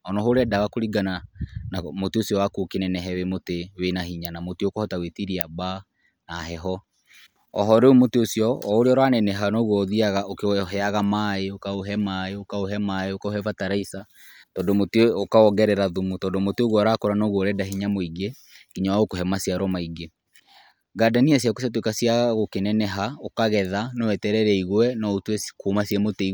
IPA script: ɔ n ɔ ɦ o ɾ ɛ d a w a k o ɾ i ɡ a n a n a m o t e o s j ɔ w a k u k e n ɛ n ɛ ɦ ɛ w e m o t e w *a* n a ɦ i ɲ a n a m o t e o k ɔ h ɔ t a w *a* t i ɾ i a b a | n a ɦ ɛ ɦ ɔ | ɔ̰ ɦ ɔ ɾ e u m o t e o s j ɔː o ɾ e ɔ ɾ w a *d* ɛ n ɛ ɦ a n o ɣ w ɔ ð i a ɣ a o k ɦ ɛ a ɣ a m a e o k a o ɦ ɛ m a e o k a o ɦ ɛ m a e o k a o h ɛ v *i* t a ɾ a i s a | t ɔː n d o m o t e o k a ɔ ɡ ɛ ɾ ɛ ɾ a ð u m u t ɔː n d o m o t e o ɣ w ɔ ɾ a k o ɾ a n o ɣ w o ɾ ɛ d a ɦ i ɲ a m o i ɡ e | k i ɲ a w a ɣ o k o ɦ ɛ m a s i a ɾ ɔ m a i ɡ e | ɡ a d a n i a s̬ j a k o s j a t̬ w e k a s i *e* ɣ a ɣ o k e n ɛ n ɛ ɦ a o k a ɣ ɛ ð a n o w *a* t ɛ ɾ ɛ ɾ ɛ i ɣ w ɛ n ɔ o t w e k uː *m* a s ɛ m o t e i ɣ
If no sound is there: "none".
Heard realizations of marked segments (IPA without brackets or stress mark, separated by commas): e, e, n, a, a, ɛ, m